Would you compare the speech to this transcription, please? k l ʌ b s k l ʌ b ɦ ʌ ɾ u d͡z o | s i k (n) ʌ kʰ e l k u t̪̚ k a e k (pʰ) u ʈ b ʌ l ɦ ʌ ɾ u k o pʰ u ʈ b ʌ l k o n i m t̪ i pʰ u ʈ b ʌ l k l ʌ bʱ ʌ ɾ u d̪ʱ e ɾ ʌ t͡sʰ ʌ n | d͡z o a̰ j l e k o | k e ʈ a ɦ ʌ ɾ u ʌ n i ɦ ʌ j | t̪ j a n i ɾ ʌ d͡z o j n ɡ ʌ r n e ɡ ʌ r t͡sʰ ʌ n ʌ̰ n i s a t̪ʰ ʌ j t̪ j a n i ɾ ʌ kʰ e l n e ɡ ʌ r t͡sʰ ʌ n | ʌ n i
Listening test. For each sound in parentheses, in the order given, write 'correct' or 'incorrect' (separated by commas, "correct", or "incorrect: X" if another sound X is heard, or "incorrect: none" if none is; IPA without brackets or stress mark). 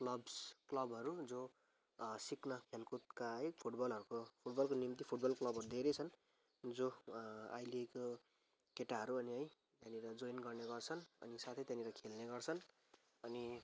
correct, correct